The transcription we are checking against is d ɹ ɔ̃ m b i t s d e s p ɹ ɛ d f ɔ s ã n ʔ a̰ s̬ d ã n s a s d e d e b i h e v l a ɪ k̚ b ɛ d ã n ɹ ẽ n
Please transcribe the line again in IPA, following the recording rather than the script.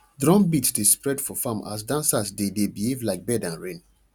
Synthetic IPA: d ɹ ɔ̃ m b i t s d e s p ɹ ɛ d f ɔ f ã m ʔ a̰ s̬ d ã n s a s d e d e b i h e v l a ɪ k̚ b ɛ d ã n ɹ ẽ n